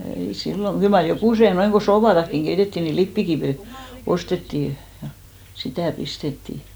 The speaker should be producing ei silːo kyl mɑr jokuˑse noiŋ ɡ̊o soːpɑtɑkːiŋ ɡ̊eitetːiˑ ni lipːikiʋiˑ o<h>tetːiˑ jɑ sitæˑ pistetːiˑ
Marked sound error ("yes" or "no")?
yes